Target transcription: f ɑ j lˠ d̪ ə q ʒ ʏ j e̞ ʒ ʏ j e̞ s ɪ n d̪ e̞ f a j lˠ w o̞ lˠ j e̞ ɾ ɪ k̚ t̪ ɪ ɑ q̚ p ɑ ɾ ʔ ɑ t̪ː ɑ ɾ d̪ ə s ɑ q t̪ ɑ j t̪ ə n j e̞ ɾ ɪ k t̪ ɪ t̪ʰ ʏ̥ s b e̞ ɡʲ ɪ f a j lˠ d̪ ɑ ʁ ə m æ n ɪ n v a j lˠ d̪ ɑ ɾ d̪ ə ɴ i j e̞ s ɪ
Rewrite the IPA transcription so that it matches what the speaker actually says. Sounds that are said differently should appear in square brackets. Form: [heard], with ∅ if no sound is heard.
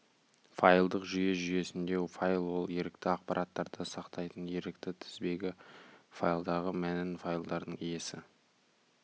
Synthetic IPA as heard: f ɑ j lˠ d̪ ə q ʒ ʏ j e̞ ʒ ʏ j e̞ s ɪ n d̪ e̞ f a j lˠ w o̞ lˠ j e̞ ɾ ɪ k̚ t̪ ɪ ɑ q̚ p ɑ ɾ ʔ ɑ t̪ː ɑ ɾ d̪ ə s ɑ q t̪ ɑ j t̪ ə n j e̞ ɾ ɪ k t̪ ɪ t̪ʰ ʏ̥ [z] b e̞ ɡʲ ɪ f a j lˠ d̪ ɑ ʁ ə m æ n ɪ n [f] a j lˠ d̪ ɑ ɾ d̪ ə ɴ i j e̞ s ɪ